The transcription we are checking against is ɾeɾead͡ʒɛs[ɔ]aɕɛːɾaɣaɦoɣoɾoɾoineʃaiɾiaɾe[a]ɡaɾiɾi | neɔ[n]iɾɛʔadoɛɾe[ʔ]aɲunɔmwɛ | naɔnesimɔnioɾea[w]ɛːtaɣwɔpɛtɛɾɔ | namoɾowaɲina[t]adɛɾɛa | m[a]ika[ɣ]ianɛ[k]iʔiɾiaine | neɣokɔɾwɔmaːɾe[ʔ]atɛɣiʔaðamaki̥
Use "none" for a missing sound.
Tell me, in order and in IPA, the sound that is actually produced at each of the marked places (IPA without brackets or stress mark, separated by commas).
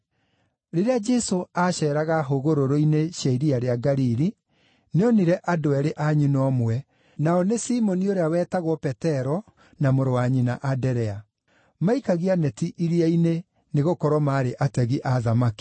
o, a, n, ʔ, w, ʔ, a, ɣ, t, ʔ